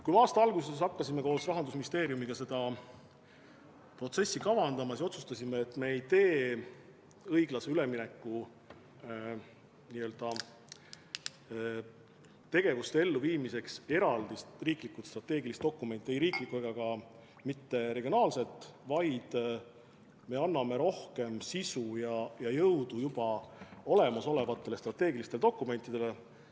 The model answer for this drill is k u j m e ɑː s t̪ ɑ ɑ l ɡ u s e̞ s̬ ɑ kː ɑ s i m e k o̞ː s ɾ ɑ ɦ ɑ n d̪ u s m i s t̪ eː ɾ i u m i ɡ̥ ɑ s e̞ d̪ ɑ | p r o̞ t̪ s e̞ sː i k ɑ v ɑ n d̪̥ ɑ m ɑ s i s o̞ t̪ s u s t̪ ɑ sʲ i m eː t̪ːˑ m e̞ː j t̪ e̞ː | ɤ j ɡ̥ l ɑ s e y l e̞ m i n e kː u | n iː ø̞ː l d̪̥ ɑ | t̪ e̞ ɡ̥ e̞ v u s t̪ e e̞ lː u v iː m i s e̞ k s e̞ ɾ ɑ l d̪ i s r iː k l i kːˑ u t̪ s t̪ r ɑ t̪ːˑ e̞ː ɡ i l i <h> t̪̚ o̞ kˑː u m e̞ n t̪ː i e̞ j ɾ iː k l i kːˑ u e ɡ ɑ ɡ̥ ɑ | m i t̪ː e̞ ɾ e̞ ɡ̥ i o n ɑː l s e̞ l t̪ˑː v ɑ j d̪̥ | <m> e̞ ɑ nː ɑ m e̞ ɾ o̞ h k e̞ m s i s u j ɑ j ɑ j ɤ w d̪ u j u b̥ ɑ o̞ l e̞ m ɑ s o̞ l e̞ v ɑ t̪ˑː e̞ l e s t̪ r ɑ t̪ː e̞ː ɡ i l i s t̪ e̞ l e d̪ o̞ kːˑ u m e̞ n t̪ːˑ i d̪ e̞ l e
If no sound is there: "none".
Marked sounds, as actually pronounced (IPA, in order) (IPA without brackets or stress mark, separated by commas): s, m